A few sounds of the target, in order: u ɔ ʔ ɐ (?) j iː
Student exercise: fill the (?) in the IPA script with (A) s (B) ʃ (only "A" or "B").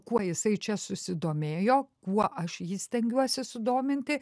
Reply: B